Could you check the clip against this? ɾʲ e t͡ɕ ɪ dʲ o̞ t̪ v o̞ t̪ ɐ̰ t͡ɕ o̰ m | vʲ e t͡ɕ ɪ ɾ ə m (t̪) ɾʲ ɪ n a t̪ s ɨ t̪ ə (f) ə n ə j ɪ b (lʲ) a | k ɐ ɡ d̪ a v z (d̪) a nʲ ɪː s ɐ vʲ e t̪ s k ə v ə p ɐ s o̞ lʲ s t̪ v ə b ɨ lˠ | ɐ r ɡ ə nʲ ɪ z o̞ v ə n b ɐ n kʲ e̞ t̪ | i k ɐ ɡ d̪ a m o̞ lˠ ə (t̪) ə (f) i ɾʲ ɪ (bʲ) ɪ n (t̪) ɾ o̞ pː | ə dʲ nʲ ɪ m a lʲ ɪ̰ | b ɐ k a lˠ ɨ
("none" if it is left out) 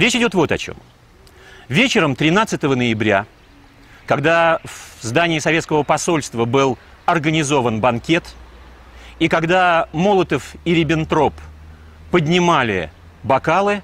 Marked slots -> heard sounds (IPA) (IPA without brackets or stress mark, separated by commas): t̪, v, ɾʲ, d̪, t̪, f, bʲ, t̪